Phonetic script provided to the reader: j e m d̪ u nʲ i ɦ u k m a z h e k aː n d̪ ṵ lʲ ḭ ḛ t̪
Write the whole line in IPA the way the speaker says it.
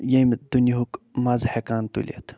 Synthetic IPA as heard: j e m d̪ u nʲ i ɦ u k m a z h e k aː n t̪ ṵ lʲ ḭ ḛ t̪